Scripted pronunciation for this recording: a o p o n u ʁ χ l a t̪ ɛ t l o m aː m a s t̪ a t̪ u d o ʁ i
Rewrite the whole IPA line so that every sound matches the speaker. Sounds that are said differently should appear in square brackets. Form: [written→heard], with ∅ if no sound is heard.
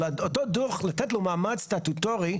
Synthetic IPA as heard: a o [p→t] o [n→d] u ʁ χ l a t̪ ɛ t l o m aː m a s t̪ a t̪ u [d→t] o ʁ i